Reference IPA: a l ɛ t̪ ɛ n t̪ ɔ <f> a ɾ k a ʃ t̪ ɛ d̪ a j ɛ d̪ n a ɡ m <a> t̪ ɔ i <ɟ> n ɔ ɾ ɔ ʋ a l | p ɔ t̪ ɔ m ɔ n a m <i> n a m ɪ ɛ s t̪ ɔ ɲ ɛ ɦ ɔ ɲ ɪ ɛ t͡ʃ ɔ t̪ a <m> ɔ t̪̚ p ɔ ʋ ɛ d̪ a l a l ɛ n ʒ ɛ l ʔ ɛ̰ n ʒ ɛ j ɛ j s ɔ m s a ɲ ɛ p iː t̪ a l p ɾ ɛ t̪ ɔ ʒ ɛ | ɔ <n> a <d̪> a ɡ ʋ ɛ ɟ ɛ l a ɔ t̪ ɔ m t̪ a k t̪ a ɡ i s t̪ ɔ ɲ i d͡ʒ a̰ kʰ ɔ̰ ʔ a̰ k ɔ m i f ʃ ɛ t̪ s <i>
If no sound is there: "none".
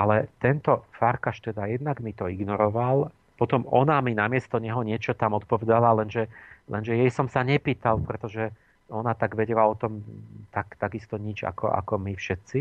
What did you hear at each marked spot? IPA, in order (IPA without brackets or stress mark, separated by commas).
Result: f, i, ɡ, i, m, n, t̪, i